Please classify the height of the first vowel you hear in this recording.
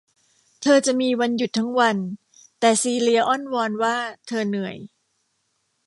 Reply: mid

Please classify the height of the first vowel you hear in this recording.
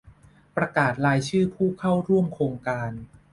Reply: low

